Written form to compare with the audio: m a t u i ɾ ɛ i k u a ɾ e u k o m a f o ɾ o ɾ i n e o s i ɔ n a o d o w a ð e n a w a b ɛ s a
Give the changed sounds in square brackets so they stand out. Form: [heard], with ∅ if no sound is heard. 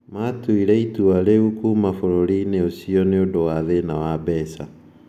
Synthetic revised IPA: m a t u i ɾ ɛ i [t] u a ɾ e u k [u] m a f o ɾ o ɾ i n e o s i ɔ n [e] o d o w a ð e n a w a b ɛ s a